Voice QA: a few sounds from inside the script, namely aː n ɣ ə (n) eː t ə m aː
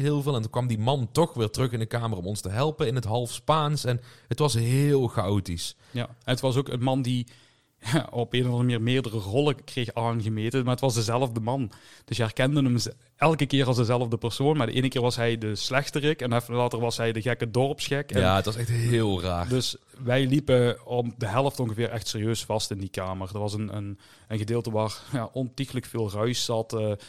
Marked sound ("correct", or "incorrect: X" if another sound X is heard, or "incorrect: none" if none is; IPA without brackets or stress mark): incorrect: m